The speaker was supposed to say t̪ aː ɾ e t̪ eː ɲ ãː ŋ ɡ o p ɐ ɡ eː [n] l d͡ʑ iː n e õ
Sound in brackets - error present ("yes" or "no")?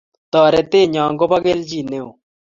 yes